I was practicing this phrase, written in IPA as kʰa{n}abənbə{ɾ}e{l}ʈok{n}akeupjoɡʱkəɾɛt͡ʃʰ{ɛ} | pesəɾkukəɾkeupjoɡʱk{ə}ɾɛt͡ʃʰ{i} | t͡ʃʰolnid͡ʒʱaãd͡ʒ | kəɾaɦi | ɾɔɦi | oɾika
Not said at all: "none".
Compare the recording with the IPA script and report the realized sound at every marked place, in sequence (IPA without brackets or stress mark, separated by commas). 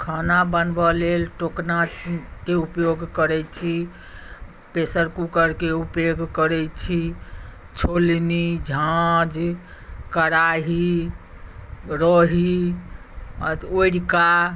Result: n, l, l, n, i, ə, i